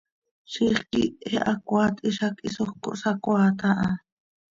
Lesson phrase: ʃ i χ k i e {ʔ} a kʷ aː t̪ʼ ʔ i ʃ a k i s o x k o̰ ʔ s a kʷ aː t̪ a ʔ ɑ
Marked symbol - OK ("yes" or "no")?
yes